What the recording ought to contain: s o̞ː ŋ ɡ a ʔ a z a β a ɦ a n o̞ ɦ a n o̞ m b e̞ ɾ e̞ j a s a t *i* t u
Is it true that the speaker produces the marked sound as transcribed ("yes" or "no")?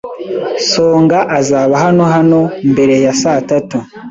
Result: no